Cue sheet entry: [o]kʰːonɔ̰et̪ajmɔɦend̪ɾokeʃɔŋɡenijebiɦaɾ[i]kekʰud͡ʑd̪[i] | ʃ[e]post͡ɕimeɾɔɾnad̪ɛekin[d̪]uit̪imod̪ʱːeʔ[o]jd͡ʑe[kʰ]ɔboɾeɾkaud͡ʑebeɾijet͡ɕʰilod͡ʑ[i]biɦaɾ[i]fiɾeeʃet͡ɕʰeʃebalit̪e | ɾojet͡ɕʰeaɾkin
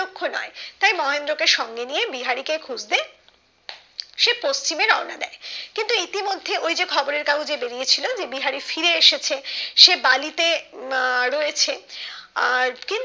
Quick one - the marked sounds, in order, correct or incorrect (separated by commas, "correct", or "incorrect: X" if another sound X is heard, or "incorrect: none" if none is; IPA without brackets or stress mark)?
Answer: correct, correct, incorrect: e, correct, incorrect: t̪, correct, correct, incorrect: e, correct